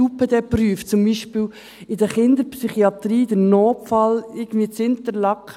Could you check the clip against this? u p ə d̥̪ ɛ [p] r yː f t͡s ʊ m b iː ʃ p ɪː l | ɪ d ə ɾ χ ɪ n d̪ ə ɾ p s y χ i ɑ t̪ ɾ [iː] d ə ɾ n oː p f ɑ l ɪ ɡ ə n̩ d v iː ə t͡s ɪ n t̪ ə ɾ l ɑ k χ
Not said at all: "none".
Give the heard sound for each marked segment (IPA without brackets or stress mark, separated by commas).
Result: p, iː